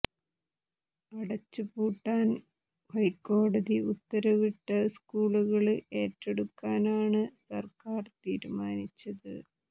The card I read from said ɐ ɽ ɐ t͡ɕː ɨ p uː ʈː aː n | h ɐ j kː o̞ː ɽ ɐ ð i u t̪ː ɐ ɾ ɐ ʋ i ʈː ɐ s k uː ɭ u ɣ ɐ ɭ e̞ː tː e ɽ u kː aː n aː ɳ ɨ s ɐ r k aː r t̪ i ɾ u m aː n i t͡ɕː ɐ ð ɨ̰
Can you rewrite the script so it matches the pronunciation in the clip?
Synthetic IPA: ɐ ɽ ɐ t͡ɕː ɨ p uː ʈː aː n | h ɐ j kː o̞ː ɽ ɐ ð i u t̪ː ɐ ɾ ɐ ʋ i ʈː ɐ s k uː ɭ u ɣ ɐ ɭ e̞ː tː e ɽ u kː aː n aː ɳ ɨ s ɐ r k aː r t̪ iː ɾ u m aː n i t͡ɕː ɐ ð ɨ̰